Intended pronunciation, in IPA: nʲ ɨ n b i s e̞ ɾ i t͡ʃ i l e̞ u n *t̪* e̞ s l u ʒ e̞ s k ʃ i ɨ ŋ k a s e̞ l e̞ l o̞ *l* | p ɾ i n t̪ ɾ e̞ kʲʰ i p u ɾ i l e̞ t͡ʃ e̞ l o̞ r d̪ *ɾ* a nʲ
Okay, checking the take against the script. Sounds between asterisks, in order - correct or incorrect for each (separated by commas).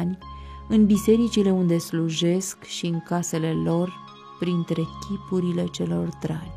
incorrect, incorrect, correct